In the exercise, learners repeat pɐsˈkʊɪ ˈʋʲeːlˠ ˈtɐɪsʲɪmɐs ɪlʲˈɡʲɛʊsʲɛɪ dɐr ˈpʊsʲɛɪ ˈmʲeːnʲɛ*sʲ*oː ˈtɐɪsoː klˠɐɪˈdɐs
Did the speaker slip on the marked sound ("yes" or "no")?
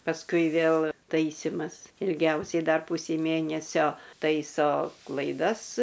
no